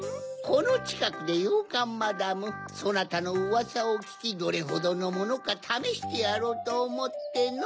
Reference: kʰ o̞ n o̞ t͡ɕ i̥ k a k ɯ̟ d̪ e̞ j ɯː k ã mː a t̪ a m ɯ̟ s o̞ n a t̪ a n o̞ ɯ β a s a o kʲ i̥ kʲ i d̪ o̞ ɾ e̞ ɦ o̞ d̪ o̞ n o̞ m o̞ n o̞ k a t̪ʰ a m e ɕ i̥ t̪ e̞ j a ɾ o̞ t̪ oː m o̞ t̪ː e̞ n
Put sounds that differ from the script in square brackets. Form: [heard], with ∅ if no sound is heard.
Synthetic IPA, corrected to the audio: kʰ o̞ n o̞ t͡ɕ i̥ k a k ɯ̟ d̪ e̞ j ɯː k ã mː a [d̪] a m ɯ̟ s o̞ n a t̪ a n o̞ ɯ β a s a o kʲ i̥ kʲ i d̪ o̞ ɾ e̞ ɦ o̞ d̪ o̞ n o̞ m o̞ n o̞ k a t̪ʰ a m e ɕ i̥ t̪ e̞ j a ɾ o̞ t̪ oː m o̞ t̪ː e̞ n